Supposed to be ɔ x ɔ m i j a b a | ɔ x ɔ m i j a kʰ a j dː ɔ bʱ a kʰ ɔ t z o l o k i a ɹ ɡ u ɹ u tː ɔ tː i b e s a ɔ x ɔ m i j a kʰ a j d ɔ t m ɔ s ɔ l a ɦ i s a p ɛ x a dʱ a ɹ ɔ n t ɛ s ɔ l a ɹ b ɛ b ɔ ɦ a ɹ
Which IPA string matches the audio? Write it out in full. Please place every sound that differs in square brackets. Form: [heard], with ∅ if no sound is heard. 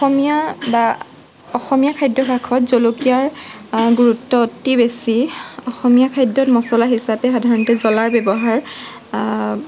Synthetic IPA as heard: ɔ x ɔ m i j a b a | ɔ x ɔ m i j a kʰ a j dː ɔ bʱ a kʰ ɔ t z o l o k i a ɹ ɡ u ɹ u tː ɔ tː i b e s [i] ɔ x ɔ m i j a kʰ a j d ɔ t m ɔ s ɔ l a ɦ i s a p ɛ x a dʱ a ɹ ɔ n t ɛ [z] ɔ l a ɹ b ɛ b ɔ ɦ a ɹ